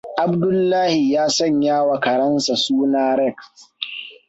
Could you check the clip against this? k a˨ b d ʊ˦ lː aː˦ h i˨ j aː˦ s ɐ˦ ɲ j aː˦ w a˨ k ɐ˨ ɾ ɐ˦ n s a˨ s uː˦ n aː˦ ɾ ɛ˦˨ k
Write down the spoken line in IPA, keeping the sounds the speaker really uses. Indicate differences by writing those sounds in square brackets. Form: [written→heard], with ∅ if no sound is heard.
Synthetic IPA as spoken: [k→ʔ] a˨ b d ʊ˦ lː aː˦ h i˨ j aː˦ s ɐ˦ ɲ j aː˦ w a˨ k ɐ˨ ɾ ɐ˦ n s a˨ s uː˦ n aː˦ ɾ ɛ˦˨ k